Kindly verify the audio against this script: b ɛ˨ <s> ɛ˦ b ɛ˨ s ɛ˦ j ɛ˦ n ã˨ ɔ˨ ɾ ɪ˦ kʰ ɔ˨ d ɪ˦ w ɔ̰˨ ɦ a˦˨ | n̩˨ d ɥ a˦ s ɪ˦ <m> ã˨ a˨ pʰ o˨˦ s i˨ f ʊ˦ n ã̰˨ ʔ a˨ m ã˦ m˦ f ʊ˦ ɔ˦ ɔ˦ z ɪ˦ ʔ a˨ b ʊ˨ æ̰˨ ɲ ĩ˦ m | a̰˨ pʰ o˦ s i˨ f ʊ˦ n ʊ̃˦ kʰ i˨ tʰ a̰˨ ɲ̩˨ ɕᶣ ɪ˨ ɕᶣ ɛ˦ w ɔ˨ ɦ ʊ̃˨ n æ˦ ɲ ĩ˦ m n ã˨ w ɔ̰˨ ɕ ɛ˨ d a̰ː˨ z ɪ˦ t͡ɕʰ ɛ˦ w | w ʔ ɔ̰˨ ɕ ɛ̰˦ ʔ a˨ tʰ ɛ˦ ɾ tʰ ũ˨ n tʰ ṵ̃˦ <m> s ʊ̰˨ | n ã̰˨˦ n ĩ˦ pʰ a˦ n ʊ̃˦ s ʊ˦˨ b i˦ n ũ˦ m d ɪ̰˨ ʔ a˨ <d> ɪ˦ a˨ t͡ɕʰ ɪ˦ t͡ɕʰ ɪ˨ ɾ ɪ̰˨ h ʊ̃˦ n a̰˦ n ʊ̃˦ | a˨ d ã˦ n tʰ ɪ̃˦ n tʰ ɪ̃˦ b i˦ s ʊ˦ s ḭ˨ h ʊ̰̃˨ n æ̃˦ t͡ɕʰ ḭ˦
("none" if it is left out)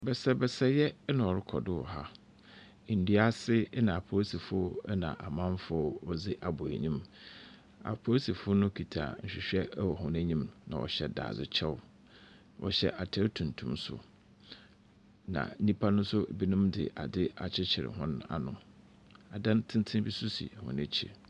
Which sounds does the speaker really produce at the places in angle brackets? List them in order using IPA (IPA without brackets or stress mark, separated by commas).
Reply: s, n, m, d